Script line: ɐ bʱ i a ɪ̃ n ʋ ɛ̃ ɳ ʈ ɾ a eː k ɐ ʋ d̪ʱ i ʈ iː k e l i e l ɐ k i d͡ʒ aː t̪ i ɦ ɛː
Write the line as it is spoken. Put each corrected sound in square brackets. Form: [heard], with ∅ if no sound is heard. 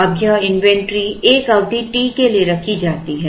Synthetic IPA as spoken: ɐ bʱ [j] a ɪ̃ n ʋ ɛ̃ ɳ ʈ ɾ [i] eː k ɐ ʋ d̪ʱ i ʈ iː k e l i e [ɾ] ɐ [kʰ] i d͡ʒ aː t̪ i ɦ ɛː